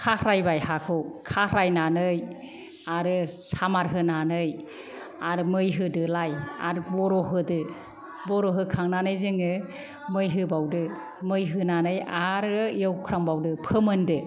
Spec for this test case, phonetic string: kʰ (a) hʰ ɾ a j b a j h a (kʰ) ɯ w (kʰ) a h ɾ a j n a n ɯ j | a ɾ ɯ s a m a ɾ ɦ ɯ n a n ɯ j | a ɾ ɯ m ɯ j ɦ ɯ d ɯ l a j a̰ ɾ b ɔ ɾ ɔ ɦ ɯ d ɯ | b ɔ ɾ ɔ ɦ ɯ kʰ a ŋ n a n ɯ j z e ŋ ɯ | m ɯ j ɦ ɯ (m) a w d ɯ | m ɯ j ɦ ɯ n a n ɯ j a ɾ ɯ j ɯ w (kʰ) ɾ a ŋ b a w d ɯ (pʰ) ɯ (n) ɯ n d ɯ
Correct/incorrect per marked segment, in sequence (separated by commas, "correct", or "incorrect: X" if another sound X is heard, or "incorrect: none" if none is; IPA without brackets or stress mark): correct, correct, correct, incorrect: b, correct, correct, incorrect: m